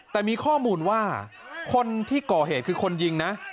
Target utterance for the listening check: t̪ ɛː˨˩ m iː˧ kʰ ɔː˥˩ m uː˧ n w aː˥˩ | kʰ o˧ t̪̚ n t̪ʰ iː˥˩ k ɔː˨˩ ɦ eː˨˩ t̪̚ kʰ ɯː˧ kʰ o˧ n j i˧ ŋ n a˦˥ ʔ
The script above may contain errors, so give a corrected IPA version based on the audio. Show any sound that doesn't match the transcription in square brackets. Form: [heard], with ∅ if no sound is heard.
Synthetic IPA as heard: t̪ ɛː˨˩ m iː˧ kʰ ɔː˥˩ m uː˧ n w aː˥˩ | kʰ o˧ [∅] n t̪ʰ iː˥˩ k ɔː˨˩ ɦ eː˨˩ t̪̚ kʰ ɯː˧ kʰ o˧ n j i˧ ŋ n a˦˥ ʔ